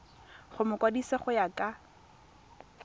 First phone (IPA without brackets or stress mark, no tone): χ